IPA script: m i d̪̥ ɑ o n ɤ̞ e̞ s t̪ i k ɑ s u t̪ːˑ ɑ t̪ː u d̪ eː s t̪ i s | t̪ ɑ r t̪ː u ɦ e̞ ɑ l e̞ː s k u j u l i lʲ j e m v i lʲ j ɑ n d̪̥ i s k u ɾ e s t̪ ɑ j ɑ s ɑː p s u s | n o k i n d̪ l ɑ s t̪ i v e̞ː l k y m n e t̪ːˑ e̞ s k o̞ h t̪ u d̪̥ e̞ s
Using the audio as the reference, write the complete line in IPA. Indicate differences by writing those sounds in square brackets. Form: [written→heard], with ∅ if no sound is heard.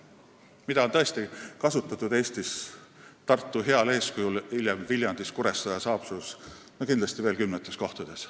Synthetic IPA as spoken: m i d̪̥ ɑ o n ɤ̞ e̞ s t̪ i k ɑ s u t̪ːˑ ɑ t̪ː u d̪ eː s t̪ i s | t̪ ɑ r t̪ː u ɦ e̞ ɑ l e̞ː s k u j u l i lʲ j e m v i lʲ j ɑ n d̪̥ i s k u ɾ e s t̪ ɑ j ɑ s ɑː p s u s | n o k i n d̪ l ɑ s t̪ i v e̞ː l k y m n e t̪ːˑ e̞ s k o̞ h t̪ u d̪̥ e̞ s